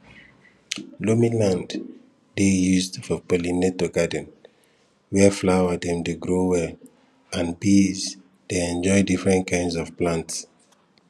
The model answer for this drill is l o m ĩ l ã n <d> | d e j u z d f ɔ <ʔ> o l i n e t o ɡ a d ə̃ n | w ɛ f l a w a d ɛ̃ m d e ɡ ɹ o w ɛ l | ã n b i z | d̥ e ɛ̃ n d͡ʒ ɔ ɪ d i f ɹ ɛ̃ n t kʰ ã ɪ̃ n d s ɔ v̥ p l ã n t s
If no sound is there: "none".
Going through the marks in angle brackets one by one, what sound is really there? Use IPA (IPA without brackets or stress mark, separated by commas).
d, p